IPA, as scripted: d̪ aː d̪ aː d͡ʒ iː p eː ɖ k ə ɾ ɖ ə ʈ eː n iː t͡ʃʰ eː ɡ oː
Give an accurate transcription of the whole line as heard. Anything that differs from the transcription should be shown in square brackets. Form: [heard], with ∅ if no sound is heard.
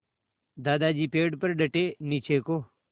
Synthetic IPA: d̪ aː d̪ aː d͡ʒ iː p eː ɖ [p] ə ɾ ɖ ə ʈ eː n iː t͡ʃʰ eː [k] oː

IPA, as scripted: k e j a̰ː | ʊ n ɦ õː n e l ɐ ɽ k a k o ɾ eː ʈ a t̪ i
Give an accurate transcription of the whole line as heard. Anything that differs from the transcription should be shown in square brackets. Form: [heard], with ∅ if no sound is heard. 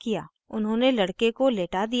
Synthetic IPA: k [i] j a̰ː | ʊ n ɦ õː n e l ɐ ɽ k [e] k o [l] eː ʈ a [d̪] i

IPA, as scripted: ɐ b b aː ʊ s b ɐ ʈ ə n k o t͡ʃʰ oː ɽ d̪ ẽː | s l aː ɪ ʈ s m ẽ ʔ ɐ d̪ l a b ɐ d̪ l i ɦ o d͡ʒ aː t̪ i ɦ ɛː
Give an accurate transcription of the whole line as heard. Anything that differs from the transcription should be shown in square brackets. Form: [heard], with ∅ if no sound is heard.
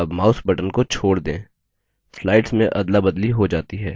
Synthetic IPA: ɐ b [m] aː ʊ s b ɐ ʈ ə n k o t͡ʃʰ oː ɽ d̪ ẽː | s l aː ɪ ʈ s m ẽ ʔ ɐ d̪ l a b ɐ d̪ l i ɦ o d͡ʒ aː t̪ i ɦ ɛː

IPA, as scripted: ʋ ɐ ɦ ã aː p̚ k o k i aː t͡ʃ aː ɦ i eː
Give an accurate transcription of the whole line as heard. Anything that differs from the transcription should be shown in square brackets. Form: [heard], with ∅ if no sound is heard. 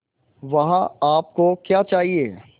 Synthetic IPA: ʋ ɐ ɦ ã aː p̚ k o k [j] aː t͡ʃ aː ɦ i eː

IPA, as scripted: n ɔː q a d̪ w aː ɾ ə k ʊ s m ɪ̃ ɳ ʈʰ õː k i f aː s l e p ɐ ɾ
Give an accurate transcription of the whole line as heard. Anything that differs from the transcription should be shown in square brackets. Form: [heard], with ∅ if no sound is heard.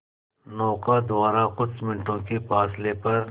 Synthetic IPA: n ɔː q a d̪ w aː ɾ [a] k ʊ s m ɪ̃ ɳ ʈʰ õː k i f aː s l e p ɐ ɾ

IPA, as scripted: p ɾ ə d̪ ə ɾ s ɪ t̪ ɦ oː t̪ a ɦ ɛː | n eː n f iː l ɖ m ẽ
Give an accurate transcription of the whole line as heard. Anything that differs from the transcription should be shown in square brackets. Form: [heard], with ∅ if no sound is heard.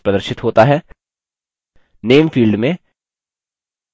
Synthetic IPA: p ɾ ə d̪ ə ɾ [ʃ] ɪ t̪ ɦ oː t̪ a ɦ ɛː | n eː [m] f iː l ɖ m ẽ

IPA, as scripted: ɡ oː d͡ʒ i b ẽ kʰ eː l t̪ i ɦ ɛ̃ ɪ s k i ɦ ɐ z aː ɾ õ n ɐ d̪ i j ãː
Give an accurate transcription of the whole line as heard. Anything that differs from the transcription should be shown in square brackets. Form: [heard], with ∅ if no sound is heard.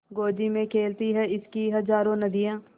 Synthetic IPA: ɡ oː d͡ʒ i [m] ẽ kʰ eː l t̪ i ɦ [ɛ] ɪ s k i ɦ ɐ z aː ɾ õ n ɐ d̪ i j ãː

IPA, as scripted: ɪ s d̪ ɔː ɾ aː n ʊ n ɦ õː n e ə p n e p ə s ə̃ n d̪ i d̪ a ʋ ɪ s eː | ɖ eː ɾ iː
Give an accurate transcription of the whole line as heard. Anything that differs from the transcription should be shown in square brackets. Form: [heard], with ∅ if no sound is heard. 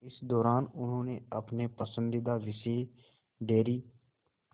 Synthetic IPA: ɪ s d̪ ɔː ɾ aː n ʊ n ɦ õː n e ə p n e p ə s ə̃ n d̪ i d̪ a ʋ ɪ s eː | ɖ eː ɾ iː

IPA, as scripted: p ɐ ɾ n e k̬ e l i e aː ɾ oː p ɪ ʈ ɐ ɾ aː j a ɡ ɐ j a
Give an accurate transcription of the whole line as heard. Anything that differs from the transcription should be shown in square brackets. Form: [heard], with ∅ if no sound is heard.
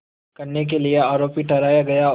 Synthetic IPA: [k] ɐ ɾ n e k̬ e l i e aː ɾ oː p [i] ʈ ɐ ɾ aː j a ɡ ɐ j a

